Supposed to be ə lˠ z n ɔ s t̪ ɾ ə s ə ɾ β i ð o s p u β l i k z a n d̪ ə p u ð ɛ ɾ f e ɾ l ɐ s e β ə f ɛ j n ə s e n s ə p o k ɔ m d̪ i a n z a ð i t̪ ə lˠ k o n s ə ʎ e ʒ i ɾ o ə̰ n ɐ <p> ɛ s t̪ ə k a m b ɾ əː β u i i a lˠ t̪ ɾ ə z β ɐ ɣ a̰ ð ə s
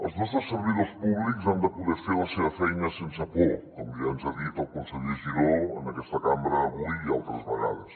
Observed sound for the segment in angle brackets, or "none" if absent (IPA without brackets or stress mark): k